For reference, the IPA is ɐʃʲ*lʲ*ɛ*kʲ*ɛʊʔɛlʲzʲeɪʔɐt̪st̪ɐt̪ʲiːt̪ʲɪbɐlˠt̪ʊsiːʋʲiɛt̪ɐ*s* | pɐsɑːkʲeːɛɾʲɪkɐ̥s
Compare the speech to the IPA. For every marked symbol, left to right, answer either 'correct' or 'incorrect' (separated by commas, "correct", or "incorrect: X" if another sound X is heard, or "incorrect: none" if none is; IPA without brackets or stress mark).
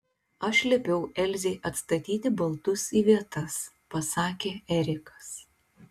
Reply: correct, incorrect: pʲ, correct